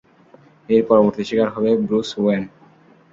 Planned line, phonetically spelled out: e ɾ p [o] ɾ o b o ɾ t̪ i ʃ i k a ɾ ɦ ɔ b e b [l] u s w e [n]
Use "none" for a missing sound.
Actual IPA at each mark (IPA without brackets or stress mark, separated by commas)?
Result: ɔ, ɾ, n